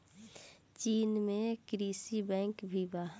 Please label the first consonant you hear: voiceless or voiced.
voiceless